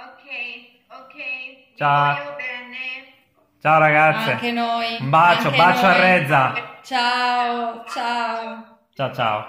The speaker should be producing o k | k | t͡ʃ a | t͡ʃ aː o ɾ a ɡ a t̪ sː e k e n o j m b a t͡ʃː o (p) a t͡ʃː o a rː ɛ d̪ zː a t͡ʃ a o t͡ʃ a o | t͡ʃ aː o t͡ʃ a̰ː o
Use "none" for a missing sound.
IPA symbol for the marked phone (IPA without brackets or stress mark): b